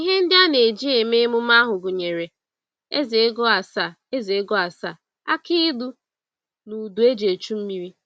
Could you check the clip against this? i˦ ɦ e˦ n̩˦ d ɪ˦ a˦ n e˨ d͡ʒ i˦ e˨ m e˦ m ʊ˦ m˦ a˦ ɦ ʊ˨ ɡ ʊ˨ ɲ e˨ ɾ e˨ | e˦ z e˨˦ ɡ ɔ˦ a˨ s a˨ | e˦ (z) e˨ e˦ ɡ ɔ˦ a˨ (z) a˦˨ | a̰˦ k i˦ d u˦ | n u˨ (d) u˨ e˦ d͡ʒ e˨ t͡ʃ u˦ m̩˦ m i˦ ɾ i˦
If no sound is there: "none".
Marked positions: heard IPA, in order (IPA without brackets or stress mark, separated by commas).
z, s, d